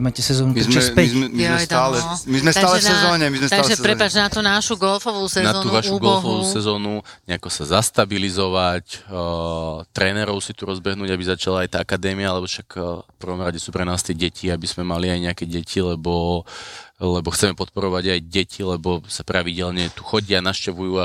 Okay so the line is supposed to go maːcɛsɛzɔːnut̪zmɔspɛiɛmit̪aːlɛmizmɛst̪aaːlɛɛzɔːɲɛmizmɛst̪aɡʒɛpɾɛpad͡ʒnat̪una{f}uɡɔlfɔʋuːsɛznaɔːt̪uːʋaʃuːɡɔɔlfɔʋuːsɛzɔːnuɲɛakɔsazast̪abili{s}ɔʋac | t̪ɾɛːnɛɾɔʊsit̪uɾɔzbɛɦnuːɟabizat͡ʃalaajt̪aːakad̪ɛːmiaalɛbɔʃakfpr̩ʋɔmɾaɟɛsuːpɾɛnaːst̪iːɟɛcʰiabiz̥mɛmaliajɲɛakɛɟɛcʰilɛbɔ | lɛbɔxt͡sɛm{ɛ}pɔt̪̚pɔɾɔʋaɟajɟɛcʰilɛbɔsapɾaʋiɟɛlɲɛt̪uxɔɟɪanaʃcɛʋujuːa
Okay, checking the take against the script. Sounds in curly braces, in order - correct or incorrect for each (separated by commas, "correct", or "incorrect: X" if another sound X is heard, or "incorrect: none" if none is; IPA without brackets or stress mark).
incorrect: ʃ, incorrect: z, correct